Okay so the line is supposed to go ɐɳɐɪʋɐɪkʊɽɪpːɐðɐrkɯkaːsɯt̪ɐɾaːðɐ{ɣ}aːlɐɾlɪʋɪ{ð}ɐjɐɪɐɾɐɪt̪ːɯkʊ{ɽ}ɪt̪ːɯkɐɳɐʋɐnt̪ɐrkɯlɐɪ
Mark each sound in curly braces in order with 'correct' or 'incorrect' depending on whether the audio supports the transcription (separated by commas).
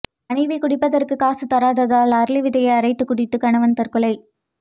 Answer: incorrect, correct, correct